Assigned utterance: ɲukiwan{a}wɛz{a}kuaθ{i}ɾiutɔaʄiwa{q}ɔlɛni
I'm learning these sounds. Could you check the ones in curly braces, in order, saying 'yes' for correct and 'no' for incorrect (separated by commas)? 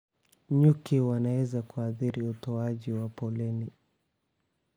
yes, yes, yes, no